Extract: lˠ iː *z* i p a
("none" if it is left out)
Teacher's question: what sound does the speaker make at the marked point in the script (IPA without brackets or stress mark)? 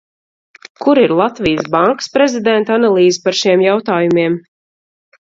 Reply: z